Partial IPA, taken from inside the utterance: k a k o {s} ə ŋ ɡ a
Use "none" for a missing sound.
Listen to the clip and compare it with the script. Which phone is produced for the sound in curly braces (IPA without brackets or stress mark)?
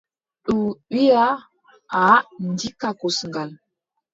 s